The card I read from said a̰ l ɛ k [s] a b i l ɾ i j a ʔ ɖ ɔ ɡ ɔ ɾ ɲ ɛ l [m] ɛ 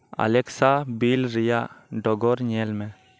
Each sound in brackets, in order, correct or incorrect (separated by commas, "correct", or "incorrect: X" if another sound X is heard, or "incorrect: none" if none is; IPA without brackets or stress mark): correct, correct